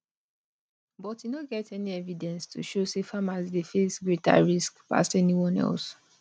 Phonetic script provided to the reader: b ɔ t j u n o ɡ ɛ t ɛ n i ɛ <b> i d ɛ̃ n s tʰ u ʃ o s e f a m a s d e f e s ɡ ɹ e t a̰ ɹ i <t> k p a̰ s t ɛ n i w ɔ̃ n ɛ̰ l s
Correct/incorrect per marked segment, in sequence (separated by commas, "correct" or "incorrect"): incorrect, incorrect